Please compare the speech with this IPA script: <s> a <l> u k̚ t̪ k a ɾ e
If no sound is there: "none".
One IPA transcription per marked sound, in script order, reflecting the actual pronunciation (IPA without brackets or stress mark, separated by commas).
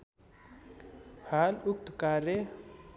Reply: h, l